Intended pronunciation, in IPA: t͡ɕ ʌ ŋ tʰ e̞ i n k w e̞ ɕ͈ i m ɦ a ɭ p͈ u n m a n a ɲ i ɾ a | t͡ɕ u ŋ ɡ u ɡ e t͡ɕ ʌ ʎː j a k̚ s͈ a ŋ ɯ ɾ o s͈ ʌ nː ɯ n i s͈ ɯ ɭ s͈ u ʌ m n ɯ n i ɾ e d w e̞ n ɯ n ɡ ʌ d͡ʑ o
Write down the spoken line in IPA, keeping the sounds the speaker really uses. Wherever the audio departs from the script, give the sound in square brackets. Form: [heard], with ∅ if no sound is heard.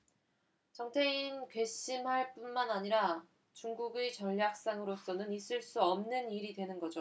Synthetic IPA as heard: t͡ɕ ʌ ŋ tʰ e̞ i n k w e̞ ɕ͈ i m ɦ a ɭ p͈ u n m a n a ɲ i ɾ a | t͡ɕ u ŋ ɡ u ɡ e t͡ɕ ʌ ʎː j a k̚ s͈ a ŋ ɯ ɾ o s͈ ʌ [n] ɯ n i s͈ ɯ ɭ s͈ u ʌ m n ɯ n i ɾ [i] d w e̞ n ɯ n ɡ ʌ d͡ʑ o